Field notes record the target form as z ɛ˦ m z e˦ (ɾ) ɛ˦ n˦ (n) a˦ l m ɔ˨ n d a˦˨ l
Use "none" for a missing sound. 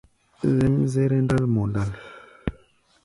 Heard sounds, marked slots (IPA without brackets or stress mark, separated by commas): ɾ, d